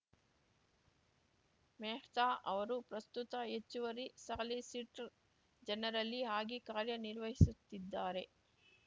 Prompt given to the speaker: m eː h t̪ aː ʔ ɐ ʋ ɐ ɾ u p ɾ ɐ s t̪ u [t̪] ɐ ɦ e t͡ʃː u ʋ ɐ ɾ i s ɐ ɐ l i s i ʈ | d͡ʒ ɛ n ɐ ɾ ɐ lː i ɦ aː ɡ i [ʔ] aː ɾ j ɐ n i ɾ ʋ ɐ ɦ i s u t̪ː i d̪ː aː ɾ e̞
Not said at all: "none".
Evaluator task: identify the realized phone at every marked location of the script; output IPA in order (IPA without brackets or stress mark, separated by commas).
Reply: t̪, k